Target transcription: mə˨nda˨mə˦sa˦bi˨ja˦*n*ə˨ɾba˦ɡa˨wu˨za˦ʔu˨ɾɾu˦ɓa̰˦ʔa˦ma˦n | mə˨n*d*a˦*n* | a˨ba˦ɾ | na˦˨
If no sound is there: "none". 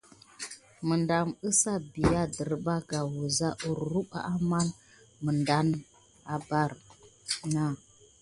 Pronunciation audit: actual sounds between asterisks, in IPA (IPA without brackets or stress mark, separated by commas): d, d, n